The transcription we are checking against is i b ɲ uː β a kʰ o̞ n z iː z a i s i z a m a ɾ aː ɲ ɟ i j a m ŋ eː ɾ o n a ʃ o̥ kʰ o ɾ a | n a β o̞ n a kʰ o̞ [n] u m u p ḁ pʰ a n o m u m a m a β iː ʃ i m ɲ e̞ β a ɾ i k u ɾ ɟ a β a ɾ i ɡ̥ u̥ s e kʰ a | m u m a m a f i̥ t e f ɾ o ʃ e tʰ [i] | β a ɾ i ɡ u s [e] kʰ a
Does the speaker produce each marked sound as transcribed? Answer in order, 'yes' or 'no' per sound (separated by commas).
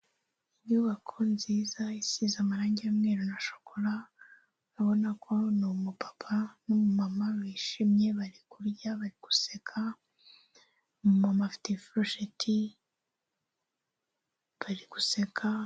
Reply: yes, yes, yes